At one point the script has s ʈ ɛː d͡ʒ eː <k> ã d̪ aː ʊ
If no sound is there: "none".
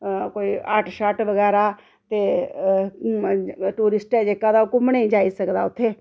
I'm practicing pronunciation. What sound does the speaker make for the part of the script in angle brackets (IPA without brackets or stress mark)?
k